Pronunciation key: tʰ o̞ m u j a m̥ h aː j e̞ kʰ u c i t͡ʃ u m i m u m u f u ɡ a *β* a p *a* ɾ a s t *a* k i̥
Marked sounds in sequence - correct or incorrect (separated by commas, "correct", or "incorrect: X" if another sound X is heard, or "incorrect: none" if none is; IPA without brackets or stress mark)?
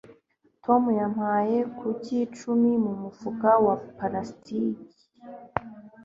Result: incorrect: w, correct, incorrect: i